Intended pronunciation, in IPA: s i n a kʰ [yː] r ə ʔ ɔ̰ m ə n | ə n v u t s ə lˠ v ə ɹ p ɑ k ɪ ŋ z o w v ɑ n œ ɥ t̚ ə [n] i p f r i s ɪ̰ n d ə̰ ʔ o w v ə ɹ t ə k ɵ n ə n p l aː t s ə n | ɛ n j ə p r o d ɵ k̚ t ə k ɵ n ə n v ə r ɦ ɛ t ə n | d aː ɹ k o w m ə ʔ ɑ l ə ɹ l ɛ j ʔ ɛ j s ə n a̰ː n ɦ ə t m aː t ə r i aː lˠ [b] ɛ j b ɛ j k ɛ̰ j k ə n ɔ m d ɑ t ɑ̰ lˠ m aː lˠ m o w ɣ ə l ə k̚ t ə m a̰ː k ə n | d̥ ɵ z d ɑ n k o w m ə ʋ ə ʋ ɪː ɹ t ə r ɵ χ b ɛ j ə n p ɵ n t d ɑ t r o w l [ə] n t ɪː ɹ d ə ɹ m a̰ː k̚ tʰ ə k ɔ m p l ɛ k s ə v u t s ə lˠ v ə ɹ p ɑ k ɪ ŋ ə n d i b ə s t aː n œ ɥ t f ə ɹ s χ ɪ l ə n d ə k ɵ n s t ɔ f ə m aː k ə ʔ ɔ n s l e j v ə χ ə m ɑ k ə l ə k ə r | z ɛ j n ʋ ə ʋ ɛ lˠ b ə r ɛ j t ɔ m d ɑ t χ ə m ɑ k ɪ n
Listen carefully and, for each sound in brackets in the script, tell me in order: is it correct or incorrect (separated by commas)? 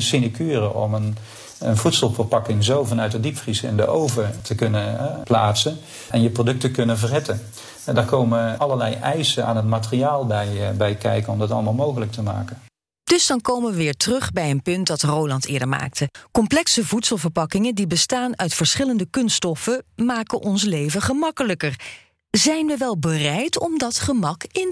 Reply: correct, incorrect, correct, incorrect